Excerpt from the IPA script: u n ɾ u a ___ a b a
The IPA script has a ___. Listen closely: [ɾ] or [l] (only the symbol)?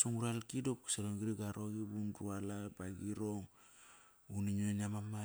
l